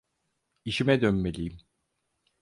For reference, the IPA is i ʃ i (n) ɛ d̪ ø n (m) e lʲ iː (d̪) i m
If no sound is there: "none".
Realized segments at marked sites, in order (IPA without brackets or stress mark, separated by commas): m, m, none